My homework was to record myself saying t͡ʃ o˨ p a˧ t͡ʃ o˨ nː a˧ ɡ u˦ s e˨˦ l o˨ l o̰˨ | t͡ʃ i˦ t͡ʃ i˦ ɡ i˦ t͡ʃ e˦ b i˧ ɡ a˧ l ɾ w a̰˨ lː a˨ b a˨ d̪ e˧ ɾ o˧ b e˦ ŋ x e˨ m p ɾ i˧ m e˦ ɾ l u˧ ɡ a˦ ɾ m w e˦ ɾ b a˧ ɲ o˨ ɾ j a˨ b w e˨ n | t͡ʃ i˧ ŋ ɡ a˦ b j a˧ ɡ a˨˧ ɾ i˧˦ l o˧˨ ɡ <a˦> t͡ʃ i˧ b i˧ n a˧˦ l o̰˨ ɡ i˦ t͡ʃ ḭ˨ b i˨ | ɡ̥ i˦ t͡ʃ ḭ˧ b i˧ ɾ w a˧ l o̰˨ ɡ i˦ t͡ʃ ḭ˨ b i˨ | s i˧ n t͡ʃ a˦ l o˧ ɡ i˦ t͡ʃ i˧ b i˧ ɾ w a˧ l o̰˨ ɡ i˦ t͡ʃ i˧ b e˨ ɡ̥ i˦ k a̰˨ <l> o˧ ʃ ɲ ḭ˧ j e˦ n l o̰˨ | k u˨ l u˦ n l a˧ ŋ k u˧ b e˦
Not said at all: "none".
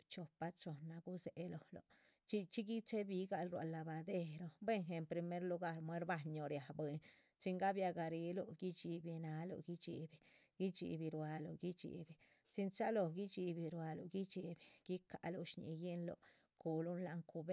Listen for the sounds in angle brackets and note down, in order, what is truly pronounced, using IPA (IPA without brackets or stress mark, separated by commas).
i˦, l